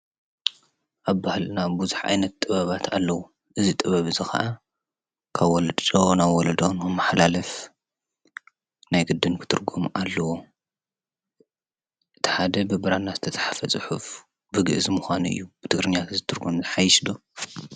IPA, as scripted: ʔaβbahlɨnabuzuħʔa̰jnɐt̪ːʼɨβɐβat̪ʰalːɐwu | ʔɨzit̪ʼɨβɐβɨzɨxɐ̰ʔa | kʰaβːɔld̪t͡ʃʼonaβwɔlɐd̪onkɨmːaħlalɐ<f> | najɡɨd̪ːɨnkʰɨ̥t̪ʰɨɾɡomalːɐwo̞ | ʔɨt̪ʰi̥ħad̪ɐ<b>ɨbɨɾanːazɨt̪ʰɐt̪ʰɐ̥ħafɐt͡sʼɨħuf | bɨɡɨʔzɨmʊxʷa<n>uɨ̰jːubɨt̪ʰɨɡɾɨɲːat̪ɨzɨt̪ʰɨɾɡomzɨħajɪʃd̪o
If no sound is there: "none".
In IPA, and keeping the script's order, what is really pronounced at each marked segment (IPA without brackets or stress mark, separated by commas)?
f, b, n